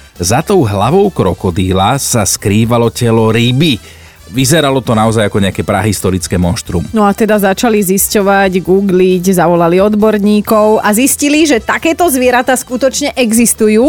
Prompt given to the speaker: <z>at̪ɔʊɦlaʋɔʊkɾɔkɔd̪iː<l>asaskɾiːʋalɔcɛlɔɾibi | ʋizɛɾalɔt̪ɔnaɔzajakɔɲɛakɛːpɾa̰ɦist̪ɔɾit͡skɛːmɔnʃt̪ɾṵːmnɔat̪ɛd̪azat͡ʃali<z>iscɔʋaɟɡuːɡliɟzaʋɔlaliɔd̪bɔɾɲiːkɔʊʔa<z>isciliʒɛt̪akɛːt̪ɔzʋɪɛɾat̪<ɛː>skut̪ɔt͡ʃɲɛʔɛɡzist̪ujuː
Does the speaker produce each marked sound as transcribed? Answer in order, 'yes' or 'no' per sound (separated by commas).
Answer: yes, yes, yes, yes, no